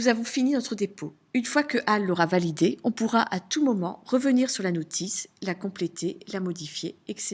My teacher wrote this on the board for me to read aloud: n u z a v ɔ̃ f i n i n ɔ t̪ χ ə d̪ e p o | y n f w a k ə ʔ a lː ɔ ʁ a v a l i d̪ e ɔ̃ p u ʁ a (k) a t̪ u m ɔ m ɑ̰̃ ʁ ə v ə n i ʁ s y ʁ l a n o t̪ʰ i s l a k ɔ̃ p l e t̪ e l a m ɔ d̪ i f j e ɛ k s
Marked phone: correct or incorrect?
incorrect